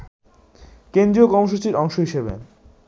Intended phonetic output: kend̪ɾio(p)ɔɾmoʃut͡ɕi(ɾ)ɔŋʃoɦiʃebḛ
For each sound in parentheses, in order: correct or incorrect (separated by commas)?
incorrect, correct